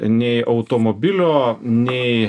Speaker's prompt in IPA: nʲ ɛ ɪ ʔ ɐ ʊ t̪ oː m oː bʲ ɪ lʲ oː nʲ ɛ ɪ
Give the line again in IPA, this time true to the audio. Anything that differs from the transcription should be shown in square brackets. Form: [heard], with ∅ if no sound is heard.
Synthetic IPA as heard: nʲ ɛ ɪ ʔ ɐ ʊ t̪ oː m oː bʲ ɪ lʲ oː nʲ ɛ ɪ